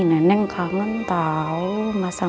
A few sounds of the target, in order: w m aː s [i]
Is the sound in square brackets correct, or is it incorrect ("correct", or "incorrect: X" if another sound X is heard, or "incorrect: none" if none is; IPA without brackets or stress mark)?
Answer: incorrect: a